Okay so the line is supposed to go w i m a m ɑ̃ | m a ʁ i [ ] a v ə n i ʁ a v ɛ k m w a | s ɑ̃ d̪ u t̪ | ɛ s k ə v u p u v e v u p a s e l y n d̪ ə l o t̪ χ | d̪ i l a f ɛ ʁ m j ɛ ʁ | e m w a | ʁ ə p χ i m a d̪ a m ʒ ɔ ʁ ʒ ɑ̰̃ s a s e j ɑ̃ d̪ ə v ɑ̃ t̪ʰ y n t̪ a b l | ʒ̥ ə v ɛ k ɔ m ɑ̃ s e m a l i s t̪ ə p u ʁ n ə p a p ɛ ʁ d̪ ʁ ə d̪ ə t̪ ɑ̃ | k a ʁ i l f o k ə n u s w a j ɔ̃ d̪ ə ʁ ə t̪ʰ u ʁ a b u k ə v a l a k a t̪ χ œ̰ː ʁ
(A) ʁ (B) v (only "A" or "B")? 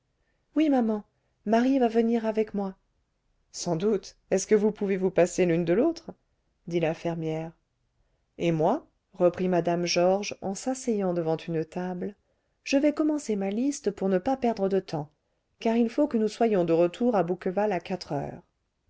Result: B